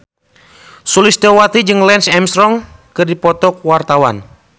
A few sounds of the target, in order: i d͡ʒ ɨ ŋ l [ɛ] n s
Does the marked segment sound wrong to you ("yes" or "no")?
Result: no